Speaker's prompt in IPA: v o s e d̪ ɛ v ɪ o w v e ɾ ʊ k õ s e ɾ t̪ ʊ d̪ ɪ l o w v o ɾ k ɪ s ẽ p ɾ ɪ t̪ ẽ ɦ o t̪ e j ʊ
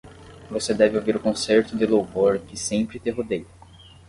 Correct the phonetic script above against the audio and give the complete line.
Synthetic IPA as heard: v o s e d̪ ɛ v ɪ o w v i ɾ ʊ k õ s e ɾ t̪ ʊ d̪ ɪ l o w v o ɾ k ɪ s ẽ p ɾ ɪ t̪ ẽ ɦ o d̪ e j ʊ